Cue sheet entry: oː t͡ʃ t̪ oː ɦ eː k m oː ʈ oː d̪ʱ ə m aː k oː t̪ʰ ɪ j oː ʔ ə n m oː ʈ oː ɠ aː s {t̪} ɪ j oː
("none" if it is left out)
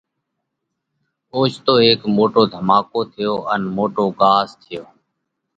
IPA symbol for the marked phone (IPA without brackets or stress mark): t̪ʰ